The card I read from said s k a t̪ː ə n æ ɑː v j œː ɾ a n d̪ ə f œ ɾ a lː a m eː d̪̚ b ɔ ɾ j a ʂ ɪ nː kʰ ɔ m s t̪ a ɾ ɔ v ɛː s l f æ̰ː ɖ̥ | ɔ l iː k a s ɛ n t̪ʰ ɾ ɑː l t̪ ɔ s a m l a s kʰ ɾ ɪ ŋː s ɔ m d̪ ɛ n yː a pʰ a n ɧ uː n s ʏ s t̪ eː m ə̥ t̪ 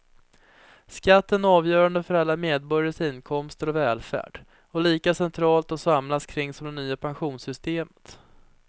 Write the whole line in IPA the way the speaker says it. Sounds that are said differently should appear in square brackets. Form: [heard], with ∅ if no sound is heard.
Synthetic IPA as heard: s k a t̪ː ə n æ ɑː v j œː ɾ a n d̪ ə f œ ɾ a lː a m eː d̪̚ b ɔ ɾ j a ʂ ɪ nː kʰ ɔ m s t̪ [ə] ɾ ɔ v ɛː [∅] l f æ̰ː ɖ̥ | ɔ l iː k a s ɛ n t̪ʰ ɾ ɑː l t̪ ɔ s a m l a s kʰ ɾ ɪ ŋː s ɔ m d̪ ɛ n yː a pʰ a n ɧ uː n s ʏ s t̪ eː m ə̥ t̪